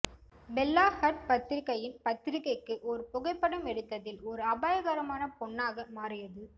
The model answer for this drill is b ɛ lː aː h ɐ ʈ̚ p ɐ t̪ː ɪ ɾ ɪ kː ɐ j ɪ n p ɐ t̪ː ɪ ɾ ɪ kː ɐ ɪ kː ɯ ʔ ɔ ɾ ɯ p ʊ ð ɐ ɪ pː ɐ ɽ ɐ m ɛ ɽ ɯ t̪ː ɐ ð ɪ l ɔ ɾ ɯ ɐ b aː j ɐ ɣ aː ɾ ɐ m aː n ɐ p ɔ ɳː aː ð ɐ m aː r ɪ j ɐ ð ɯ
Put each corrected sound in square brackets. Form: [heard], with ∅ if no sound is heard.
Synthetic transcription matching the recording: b ɛ lː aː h ɐ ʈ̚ p ɐ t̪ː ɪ ɾ ɪ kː ɐ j ɪ n p ɐ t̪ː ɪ ɾ ɪ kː ɐ ɪ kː ɯ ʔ ɔ ɾ ɯ p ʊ [ɣ] ɐ ɪ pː ɐ ɽ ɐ m ɛ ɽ ɯ t̪ː ɐ ð ɪ l ɔ ɾ ɯ ɐ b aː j ɐ ɣ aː ɾ ɐ m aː n ɐ p ɔ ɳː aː [ɣ] ɐ m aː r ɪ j ɐ ð ɯ